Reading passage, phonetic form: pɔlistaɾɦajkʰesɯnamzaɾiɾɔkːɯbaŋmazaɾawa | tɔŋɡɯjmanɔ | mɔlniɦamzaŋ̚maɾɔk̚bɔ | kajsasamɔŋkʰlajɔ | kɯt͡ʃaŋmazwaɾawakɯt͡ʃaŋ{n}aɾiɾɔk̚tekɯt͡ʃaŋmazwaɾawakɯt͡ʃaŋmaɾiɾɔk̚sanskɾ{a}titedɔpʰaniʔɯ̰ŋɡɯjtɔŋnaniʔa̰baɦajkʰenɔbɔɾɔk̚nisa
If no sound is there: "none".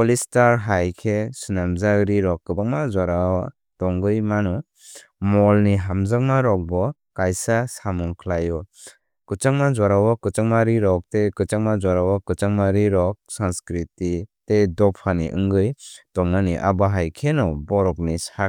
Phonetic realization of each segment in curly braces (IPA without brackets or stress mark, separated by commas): m, i